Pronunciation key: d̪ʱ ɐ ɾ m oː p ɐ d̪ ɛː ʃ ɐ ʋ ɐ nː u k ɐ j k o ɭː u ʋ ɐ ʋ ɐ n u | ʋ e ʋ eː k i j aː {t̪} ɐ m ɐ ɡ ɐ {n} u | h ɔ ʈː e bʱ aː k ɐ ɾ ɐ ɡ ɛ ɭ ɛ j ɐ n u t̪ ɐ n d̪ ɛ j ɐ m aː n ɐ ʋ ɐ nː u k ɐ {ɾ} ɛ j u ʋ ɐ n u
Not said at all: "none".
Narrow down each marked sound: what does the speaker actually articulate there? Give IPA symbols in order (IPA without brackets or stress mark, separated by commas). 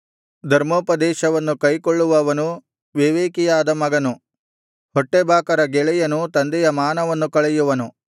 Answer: d̪, n, ɭ